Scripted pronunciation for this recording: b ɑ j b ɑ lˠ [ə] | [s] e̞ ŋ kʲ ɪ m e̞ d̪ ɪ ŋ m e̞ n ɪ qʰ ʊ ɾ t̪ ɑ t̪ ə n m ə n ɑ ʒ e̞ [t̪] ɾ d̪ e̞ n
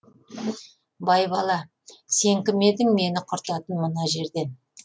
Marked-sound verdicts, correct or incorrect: incorrect, correct, incorrect

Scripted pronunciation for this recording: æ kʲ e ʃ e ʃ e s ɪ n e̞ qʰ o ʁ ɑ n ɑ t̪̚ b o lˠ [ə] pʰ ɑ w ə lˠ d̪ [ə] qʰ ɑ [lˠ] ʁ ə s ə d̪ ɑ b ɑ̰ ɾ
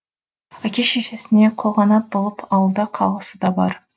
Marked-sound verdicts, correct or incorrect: correct, incorrect, correct

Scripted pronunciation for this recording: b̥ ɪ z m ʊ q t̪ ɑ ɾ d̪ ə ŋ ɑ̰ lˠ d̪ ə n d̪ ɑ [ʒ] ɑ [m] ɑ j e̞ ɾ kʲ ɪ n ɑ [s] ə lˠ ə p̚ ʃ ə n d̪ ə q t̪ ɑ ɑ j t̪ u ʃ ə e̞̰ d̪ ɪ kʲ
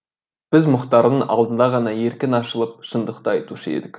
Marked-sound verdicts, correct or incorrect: incorrect, incorrect, incorrect

